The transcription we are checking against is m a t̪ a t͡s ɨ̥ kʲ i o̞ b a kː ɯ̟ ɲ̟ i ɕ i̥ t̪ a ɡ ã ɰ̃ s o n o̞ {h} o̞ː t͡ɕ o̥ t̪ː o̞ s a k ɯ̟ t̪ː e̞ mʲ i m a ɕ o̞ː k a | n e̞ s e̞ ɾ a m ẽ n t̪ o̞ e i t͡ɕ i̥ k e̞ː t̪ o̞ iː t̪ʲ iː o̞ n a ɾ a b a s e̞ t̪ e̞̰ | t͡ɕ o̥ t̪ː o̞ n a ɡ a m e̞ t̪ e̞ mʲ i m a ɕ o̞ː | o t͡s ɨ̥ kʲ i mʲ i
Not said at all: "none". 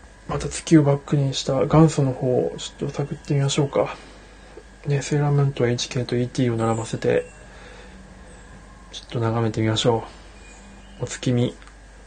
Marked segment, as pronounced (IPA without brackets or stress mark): h